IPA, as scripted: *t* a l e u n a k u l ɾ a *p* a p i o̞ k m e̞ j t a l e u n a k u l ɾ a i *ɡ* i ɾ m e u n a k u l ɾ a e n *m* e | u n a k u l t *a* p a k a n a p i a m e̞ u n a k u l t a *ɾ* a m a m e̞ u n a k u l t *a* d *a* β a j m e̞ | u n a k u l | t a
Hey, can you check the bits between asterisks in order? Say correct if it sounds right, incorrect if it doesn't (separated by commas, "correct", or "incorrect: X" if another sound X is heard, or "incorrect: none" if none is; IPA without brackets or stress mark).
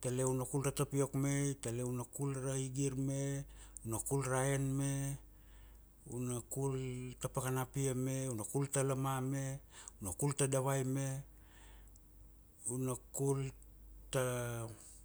correct, incorrect: t, correct, correct, correct, incorrect: l, correct, correct